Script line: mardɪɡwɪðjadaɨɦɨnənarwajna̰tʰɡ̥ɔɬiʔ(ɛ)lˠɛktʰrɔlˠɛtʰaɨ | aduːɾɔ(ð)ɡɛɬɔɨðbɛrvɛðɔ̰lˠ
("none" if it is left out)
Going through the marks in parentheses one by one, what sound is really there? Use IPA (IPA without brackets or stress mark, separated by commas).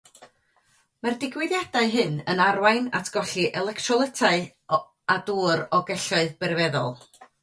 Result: ɛ, none